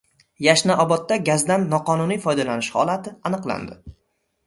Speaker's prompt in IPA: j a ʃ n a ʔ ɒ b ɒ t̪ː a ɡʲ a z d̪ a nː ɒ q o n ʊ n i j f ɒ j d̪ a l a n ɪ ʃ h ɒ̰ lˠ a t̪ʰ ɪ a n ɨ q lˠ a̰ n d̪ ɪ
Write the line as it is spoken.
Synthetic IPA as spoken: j a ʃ n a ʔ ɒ b ɒ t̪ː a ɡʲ a z d̪ a nː ɒ q ɒ n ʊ n i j f ɒ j d̪ a l a n ɪ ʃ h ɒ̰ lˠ a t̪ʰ ɪ a n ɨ q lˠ a̰ n d̪ ɪ